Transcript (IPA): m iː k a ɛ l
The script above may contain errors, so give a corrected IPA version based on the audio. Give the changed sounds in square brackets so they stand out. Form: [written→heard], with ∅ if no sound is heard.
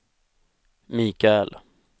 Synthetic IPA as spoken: m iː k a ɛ l